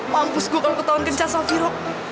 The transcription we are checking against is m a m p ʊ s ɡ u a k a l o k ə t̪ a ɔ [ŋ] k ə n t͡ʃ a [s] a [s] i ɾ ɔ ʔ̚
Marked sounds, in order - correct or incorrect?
incorrect, correct, incorrect

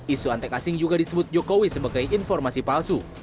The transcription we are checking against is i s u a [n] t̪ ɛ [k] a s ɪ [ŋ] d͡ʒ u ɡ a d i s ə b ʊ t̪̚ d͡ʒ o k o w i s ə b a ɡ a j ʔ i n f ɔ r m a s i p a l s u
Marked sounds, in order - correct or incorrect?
correct, correct, correct

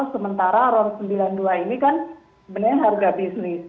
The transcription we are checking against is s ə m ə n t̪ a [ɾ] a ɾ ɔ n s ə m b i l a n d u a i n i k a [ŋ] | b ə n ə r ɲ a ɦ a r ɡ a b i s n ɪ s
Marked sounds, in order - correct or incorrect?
correct, incorrect

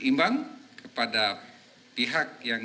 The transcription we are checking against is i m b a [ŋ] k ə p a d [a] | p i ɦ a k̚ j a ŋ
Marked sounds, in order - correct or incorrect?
correct, correct

